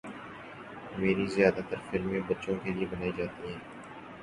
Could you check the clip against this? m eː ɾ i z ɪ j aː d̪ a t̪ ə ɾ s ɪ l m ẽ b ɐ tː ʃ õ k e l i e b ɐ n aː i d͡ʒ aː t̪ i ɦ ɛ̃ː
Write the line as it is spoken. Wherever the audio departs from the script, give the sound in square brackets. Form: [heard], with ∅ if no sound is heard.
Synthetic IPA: m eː ɾ i z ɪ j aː d̪ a t̪ ə ɾ [f] ɪ l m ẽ b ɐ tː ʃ õ k e l i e b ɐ n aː i d͡ʒ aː t̪ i ɦ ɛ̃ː